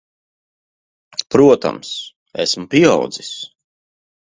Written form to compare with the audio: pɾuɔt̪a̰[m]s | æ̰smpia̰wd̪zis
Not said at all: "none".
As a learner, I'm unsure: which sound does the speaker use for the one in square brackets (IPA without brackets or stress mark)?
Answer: m